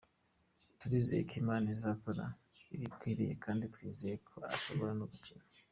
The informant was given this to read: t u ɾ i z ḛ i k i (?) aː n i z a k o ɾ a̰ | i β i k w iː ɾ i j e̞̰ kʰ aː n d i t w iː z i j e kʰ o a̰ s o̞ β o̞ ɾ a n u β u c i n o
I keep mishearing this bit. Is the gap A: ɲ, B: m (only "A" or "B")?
B